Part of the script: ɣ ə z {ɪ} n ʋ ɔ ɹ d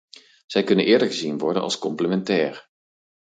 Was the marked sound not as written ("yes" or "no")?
yes